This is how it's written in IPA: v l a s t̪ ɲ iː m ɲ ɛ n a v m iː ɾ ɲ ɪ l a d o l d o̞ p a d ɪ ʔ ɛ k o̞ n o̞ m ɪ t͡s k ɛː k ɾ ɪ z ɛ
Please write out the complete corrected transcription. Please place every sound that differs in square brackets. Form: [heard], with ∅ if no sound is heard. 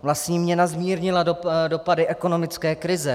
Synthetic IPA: v l a s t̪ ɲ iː m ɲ ɛ n a [z] m iː ɾ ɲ ɪ l a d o [∅] d o̞ p a d ɪ ʔ ɛ k o̞ n o̞ m ɪ t͡s k ɛː k ɾ ɪ z ɛ